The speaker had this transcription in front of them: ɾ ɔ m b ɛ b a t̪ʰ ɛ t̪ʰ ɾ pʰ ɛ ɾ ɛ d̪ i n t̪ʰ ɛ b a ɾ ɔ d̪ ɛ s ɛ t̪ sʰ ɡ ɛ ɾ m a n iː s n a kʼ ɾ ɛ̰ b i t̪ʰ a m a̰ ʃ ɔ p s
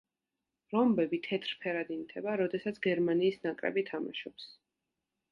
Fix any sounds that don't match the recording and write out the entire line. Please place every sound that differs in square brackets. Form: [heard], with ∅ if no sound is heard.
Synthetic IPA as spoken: ɾ ɔ m b ɛ b [i] t̪ʰ ɛ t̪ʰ ɾ pʰ ɛ ɾ [a] d̪ i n t̪ʰ ɛ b a ɾ ɔ d̪ ɛ s [a] t̪ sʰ ɡ ɛ ɾ m a n iː s n a kʼ ɾ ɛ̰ b i t̪ʰ a m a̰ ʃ ɔ p s